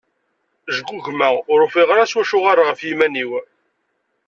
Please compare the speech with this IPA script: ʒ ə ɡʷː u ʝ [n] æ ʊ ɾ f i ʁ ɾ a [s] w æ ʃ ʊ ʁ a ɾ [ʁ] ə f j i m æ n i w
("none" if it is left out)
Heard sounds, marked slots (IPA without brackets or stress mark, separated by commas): m, s, ʁ